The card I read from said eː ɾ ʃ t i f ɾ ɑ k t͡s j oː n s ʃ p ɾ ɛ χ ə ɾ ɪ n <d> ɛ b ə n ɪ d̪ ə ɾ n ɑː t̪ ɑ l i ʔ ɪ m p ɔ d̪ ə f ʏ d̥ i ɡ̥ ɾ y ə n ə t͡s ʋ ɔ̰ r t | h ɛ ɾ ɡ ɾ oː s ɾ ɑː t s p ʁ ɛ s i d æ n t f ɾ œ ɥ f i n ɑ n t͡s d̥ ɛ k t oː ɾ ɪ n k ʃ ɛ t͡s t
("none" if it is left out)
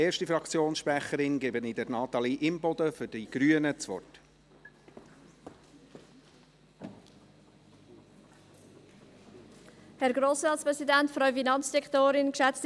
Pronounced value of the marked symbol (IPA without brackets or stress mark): ɡ